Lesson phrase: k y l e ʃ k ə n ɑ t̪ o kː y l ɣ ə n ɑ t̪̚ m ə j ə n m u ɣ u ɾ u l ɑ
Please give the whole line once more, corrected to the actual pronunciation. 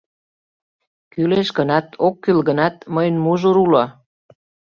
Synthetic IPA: k y l e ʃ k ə n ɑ t̪ o kː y l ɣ ə n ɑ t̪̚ m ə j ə n m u ʒ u ɾ u l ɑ